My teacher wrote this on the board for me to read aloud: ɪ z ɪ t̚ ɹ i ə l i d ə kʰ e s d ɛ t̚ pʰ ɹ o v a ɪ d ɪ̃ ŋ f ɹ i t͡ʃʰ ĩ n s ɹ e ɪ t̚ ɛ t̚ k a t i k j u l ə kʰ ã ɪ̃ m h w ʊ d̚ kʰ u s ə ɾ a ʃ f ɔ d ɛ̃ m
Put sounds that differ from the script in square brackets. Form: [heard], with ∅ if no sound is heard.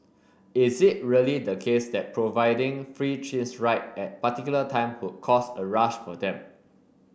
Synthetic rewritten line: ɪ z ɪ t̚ ɹ i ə l i d ə kʰ e s d ɛ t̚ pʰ ɹ o v a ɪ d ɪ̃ ŋ f ɹ i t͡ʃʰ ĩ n s ɹ [a] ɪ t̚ ɛ t̚ [p] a t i k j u l ə [tʰ] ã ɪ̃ m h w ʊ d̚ kʰ [ɔ] s ə [ɹ] a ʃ f ɔ d ɛ̃ m